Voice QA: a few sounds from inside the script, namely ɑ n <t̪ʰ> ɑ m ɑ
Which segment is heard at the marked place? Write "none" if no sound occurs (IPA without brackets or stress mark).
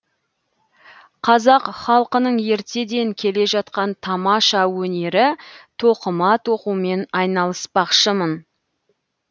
t̪ʰ